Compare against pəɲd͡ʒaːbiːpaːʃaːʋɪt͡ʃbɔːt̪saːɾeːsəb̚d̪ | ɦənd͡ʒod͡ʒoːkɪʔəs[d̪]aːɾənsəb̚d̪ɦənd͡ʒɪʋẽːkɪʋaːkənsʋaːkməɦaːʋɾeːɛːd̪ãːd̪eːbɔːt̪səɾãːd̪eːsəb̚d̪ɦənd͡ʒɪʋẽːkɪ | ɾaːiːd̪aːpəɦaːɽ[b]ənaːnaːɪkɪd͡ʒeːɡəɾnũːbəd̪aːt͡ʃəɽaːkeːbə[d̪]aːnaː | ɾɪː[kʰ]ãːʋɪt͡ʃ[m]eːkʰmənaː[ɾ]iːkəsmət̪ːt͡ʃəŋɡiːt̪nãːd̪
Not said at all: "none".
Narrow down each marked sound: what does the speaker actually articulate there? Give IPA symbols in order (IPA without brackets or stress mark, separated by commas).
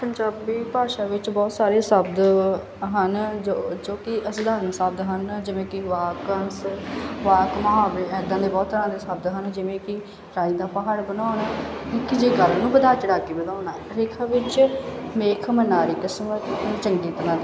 d̪, b, d̪, kʰ, m, ɾ